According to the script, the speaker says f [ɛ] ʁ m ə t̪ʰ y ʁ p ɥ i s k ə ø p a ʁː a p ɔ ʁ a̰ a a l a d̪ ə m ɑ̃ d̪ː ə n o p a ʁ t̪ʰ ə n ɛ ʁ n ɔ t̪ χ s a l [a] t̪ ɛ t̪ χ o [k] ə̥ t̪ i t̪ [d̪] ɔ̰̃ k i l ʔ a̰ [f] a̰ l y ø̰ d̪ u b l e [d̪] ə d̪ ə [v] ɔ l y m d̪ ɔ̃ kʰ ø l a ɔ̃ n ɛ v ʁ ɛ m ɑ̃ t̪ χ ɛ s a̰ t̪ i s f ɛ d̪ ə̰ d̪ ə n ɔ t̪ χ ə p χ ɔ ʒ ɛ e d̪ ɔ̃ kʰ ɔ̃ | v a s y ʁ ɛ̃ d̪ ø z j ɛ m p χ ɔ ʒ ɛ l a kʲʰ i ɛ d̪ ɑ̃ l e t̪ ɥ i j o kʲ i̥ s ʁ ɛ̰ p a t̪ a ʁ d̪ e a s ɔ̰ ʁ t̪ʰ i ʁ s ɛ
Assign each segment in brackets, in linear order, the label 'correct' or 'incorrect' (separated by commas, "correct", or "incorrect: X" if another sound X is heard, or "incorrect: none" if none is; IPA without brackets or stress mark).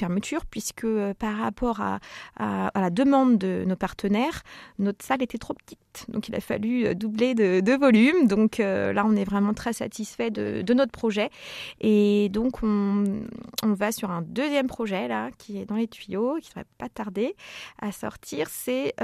correct, incorrect: e, incorrect: p, correct, correct, correct, correct